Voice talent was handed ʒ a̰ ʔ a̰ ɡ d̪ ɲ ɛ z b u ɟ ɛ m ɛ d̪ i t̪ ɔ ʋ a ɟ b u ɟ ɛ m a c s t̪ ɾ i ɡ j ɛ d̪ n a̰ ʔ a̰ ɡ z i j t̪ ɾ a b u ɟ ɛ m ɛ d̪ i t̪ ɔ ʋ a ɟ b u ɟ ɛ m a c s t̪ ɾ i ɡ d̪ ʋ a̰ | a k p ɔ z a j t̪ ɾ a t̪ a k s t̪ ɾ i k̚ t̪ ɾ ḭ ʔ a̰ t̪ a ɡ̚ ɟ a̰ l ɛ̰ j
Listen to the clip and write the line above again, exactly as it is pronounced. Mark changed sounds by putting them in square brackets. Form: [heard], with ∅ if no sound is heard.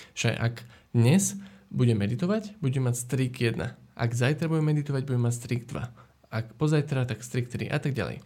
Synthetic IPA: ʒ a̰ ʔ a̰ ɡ d̪ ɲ ɛ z b u ɟ ɛ m ɛ d̪ i t̪ ɔ ʋ a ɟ b u ɟ ɛ m a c s t̪ ɾ i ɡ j ɛ d̪ n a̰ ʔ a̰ ɡ z [a] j t̪ ɾ a b u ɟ ɛ m ɛ d̪ i t̪ ɔ ʋ a ɟ b u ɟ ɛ m a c s t̪ ɾ i ɡ d̪ ʋ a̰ | a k p ɔ z a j t̪ ɾ a t̪ a k s t̪ ɾ i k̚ t̪ ɾ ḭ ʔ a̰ t̪ a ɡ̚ ɟ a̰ l ɛ̰ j